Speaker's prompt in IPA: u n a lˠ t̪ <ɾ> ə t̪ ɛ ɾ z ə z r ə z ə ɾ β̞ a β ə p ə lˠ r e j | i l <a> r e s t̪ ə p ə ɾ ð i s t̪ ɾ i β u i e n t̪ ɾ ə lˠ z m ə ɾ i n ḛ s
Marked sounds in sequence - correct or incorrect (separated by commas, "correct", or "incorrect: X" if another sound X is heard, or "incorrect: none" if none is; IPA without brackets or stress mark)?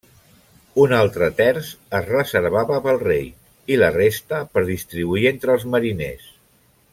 correct, incorrect: ə